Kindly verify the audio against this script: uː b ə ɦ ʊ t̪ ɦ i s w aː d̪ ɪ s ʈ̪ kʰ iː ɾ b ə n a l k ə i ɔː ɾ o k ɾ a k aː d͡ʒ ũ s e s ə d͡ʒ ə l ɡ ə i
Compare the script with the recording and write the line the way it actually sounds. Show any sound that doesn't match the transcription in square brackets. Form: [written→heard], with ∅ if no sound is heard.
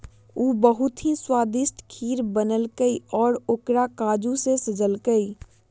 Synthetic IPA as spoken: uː b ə ɦ ʊ t̪ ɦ i s w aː d̪ ɪ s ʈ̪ kʰ iː ɾ b ə n [a→ə] l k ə i ɔː ɾ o k ɾ a k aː d͡ʒ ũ s e s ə d͡ʒ ə l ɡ ə i